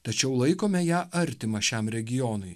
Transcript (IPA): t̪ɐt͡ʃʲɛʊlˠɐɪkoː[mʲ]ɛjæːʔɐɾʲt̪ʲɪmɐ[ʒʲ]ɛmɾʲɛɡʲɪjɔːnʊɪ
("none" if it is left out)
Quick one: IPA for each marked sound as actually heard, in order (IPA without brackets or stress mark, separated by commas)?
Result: mʲ, ʃʲ